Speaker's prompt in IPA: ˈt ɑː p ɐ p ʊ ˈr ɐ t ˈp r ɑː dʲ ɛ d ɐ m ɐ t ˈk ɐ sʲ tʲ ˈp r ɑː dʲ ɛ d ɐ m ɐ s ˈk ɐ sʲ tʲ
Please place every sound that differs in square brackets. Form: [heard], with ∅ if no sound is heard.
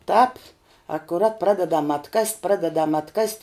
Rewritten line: ˈt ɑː p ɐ [k] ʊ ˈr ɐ t ˈp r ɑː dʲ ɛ d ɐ m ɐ t ˈk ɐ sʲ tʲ ˈp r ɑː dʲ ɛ d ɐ m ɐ [t] ˈk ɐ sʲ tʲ